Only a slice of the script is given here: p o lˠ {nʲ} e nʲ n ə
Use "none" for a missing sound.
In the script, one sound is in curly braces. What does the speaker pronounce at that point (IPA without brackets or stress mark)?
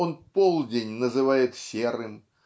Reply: dʲ